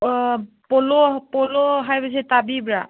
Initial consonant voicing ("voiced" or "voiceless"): voiceless